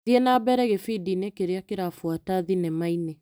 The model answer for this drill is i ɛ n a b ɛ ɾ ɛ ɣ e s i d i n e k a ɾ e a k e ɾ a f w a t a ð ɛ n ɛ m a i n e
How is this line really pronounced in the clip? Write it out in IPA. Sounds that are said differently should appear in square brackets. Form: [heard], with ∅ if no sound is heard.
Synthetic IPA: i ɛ n a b ɛ ɾ ɛ ɣ e [f] i d i n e k [e] ɾ e a k e ɾ a f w a t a ð [i] n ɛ m a i n e